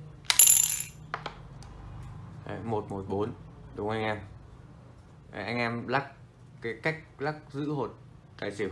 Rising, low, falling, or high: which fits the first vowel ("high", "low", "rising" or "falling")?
low